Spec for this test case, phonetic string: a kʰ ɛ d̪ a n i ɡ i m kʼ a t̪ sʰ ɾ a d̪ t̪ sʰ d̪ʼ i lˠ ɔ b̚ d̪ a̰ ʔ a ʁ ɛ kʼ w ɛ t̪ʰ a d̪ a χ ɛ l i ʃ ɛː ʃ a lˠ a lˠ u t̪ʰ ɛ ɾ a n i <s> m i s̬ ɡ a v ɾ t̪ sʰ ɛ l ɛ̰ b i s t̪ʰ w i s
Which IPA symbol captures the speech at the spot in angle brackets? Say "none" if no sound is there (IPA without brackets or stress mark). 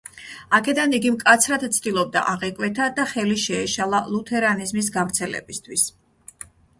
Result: z